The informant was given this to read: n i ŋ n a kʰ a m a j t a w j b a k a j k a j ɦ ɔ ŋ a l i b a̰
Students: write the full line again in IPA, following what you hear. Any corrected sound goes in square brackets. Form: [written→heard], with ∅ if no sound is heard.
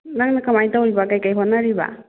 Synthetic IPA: n [i→a] ŋ n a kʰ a m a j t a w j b a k a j k a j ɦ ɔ [ŋ→n] a [l→ɾ] i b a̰